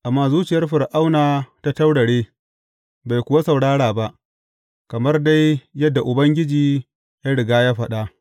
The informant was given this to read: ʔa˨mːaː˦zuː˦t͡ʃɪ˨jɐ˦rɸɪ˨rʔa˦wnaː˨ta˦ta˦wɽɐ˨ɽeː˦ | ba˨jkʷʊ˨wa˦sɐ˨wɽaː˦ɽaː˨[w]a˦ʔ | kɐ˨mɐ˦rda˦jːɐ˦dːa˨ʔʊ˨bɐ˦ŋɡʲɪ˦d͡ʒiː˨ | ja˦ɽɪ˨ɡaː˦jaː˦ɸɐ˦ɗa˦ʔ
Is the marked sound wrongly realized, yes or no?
yes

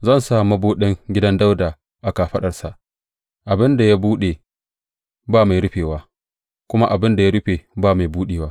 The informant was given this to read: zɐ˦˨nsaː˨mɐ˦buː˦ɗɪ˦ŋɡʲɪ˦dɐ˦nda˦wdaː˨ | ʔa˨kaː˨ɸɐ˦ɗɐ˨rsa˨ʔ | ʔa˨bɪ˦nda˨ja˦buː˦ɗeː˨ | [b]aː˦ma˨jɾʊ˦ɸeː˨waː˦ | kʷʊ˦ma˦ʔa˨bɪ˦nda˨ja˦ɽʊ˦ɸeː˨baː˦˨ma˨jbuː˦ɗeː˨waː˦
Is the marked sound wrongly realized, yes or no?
no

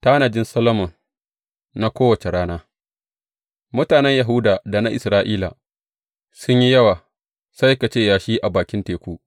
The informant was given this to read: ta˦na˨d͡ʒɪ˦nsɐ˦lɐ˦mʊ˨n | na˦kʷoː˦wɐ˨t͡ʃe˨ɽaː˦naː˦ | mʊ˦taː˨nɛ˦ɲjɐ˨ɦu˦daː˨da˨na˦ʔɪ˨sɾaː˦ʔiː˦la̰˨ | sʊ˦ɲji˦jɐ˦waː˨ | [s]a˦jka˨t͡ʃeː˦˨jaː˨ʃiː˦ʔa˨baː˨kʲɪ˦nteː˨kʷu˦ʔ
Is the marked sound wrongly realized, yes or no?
no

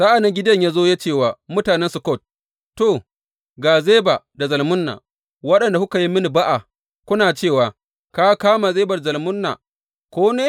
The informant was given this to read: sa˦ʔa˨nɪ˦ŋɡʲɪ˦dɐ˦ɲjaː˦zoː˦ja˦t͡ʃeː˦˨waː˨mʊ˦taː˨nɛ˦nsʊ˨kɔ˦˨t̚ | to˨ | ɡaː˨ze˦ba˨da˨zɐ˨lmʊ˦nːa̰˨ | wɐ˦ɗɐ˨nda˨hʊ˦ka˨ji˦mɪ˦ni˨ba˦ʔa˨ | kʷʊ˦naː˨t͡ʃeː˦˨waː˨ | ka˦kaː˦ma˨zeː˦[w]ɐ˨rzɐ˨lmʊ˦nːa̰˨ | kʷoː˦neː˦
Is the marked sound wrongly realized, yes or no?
yes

